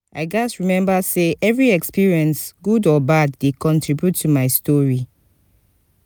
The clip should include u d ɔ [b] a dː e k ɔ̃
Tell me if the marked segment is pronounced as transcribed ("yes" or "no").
yes